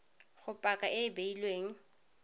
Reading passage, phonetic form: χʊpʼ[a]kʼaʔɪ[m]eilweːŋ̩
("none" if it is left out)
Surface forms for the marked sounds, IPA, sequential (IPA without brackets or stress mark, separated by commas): a, b